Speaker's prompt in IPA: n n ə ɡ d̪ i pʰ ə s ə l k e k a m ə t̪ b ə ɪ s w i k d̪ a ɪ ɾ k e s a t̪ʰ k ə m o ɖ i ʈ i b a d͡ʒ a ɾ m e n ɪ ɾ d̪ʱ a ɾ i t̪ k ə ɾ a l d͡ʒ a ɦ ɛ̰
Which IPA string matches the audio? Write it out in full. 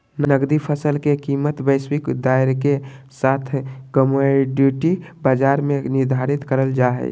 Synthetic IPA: n n ə ɡ d̪ i pʰ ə s ə l k e k i m ə t̪ b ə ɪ s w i k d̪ a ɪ ɾ k e s a t̪ʰ k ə m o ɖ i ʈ i b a d͡ʒ a ɾ m e n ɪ ɾ d̪ʱ a ɾ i t̪ k ə ɾ ə l d͡ʒ a ɦ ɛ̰